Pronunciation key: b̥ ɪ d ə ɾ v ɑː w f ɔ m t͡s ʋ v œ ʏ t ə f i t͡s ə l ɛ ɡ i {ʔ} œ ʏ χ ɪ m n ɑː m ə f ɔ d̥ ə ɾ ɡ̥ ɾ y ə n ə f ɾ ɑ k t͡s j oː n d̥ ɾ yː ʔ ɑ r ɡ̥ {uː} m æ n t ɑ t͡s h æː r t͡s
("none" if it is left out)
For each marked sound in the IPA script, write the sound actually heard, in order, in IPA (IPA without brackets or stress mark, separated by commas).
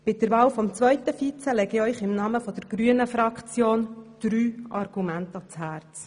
none, u